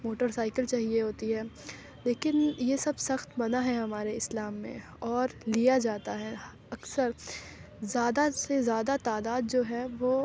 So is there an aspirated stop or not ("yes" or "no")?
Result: no